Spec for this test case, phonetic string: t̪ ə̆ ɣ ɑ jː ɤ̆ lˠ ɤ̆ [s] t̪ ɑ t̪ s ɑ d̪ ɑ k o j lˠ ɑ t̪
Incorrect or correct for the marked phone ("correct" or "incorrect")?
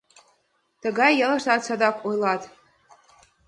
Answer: incorrect